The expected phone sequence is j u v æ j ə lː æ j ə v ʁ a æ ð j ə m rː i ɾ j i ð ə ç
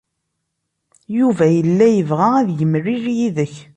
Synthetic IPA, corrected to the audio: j u v æ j ə lː æ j ə v ʁ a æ ð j ə m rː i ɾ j i ð ə ç